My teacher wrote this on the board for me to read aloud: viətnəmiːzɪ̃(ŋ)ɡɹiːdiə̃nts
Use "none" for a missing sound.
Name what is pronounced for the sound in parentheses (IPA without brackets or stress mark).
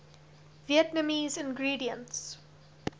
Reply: n